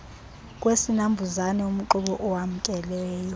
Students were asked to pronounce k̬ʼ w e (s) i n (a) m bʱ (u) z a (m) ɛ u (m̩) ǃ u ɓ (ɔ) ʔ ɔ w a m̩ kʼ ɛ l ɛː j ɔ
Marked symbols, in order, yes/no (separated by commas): yes, yes, yes, no, yes, yes